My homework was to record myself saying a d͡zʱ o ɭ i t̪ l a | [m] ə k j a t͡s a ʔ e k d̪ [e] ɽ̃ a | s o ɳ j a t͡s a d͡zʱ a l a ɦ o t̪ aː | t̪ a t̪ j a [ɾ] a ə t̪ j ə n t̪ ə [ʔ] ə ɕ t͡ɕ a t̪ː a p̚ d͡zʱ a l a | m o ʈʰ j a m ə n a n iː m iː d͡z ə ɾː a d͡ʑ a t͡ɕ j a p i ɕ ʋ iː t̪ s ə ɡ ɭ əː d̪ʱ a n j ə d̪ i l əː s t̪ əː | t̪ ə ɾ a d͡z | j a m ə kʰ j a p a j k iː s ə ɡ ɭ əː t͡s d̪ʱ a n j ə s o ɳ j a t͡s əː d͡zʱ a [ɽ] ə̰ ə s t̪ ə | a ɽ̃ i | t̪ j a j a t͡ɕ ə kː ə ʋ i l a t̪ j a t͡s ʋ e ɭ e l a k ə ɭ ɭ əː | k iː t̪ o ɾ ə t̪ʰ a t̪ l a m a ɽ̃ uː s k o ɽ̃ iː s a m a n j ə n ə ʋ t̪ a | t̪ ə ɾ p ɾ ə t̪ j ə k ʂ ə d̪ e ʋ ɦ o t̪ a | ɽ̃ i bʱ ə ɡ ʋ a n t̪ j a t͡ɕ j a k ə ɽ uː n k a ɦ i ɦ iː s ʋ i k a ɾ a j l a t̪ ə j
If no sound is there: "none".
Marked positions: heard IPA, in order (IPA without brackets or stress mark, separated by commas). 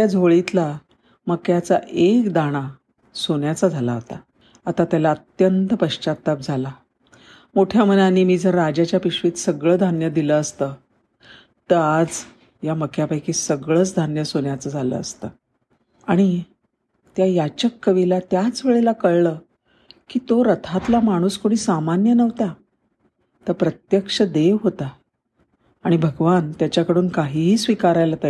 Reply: m, a, l, p, l